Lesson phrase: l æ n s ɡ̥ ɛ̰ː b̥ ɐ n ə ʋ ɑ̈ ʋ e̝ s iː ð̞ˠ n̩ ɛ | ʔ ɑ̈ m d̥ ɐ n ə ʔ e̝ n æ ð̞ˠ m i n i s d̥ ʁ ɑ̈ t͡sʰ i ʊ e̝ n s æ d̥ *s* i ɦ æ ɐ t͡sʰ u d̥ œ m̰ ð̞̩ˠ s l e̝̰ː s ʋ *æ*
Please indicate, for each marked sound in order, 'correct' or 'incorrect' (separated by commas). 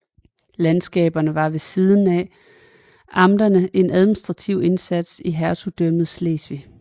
correct, incorrect